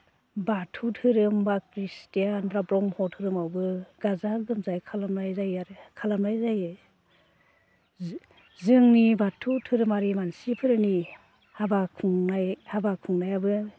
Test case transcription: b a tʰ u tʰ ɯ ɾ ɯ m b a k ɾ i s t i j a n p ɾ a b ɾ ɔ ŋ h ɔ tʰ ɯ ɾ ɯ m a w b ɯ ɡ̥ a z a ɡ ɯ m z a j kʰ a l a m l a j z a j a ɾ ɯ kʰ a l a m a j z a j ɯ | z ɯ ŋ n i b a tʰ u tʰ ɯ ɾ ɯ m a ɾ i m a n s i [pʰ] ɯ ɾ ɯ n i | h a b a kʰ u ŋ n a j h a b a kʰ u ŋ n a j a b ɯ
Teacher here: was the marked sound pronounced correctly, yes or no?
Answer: yes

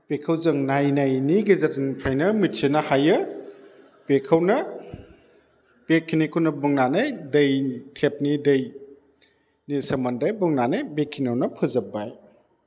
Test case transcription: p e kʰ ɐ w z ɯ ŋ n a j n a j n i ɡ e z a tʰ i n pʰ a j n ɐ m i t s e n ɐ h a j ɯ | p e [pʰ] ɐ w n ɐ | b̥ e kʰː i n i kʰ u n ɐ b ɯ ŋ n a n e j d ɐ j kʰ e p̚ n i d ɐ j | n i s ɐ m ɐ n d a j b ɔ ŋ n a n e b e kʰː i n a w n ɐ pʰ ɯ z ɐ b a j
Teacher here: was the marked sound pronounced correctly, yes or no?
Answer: no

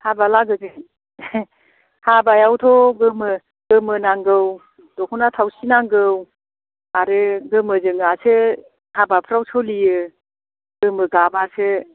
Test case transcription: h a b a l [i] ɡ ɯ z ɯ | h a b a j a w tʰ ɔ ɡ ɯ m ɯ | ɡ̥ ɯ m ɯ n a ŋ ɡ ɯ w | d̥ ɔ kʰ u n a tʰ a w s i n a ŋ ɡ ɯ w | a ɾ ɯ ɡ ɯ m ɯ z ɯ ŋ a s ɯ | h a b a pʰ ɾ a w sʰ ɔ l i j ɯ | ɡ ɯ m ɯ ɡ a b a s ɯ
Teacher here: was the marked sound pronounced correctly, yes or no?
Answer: no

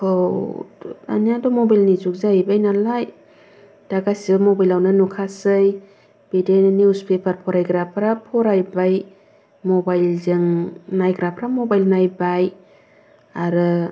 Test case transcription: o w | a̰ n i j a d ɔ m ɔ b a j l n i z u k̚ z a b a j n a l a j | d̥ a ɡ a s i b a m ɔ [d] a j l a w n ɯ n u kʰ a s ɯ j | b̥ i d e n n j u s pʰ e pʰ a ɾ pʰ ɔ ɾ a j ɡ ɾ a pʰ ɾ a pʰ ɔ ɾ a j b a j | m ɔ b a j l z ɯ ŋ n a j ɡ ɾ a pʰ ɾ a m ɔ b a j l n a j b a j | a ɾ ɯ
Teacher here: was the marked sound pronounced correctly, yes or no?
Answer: no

